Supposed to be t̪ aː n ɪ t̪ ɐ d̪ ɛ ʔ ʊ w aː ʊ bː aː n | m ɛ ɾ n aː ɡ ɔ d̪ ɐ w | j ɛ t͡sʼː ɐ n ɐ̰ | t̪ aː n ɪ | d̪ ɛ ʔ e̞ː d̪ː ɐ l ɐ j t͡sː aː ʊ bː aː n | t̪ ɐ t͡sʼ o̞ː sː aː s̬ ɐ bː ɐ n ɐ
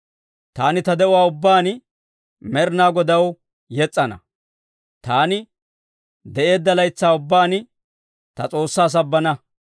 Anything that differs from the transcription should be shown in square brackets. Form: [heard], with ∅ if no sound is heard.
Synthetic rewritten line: t̪ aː n ɪ t̪ ɐ d̪ ɛ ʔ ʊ w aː ʊ bː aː n | m ɛ ɾ n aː ɡ ɔ d̪ ɐ w | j ɛ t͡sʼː ɐ n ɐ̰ | t̪ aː n ɪ | d̪ ɛ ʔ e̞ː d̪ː ɐ l ɐ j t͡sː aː ʊ bː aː n | t̪ ɐ t͡sʼ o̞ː sː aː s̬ ɐ bː ɐ n ɐ

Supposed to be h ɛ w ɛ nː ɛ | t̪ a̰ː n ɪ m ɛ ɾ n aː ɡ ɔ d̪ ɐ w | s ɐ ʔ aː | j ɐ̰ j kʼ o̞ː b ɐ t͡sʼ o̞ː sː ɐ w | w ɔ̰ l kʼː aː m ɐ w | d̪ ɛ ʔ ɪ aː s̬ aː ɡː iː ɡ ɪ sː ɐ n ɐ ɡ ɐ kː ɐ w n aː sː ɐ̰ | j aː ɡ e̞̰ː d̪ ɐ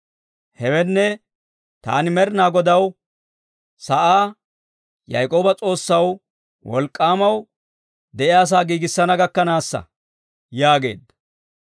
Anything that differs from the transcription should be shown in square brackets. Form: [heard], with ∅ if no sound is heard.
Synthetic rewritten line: h ɛ w ɛ nː ɛ | t̪ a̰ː n ɪ m ɛ ɾ n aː ɡ ɔ d̪ ɐ w | s ɐ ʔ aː | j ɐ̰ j kʼ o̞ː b ɐ t͡sʼ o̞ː sː ɐ w | w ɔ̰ l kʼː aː m ɐ w | d̪ ɛ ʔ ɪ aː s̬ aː [ɡ] iː ɡ ɪ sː ɐ n ɐ ɡ ɐ kː ɐ [∅] n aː sː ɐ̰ | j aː ɡ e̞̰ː d̪ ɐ

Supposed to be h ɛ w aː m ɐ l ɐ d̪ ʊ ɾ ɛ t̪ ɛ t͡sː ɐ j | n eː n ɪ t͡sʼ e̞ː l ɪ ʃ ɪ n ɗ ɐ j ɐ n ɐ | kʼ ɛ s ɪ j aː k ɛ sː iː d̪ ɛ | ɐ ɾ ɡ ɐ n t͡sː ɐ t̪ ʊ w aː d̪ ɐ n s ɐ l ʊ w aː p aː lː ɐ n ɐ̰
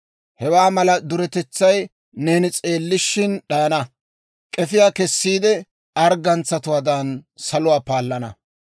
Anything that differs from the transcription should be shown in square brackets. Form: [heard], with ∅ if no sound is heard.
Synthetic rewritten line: h ɛ w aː m ɐ l ɐ d̪ ʊ ɾ ɛ t̪ ɛ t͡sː ɐ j | n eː n ɪ t͡sʼ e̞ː [lː] ɪ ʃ ɪ n ɗ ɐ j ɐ n ɐ | kʼ ɛ [f] ɪ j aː k ɛ sː iː d̪ ɛ | ɐ ɾ ɡ ɐ n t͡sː ɐ t̪ ʊ w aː d̪ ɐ n s ɐ l ʊ w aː p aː lː ɐ n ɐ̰

